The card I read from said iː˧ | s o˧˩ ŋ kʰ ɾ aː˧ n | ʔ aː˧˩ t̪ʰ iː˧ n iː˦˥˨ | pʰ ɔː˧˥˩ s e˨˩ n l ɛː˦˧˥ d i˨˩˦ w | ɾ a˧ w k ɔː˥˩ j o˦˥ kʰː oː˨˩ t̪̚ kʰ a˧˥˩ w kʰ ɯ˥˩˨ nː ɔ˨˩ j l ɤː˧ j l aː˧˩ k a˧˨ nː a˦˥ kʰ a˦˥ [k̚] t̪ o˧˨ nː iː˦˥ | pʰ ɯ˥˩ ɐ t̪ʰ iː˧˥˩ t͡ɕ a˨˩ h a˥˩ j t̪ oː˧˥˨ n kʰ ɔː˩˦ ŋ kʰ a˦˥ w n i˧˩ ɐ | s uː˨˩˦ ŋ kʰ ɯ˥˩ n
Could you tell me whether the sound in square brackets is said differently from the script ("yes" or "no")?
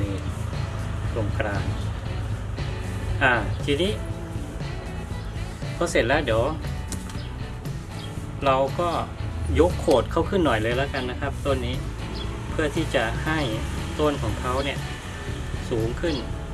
yes